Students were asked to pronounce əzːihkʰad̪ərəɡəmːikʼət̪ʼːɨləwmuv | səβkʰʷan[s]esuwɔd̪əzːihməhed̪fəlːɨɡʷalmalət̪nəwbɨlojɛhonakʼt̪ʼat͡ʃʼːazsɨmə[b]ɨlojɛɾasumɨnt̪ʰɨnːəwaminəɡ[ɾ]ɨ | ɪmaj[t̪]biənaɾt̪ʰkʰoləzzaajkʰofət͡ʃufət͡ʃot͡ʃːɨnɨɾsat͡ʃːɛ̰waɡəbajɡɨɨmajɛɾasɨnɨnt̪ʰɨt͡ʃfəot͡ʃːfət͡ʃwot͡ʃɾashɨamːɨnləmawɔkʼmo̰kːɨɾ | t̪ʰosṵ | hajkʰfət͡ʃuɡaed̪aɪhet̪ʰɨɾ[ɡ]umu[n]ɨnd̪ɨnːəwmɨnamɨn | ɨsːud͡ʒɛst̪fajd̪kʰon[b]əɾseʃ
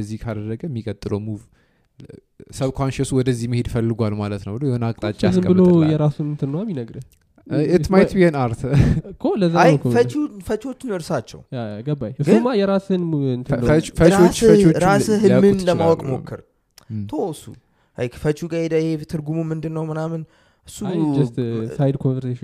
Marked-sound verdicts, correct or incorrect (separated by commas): incorrect, correct, correct, correct, correct, incorrect, incorrect